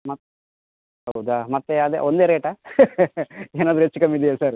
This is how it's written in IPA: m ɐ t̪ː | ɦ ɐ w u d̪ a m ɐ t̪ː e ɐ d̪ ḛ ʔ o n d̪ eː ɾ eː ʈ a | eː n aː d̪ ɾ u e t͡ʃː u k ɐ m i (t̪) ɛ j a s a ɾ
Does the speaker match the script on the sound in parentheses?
no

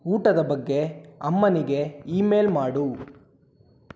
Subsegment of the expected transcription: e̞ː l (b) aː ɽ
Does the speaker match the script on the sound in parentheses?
no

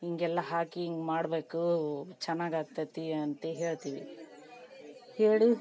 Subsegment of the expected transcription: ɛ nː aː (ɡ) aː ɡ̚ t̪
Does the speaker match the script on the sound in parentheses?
yes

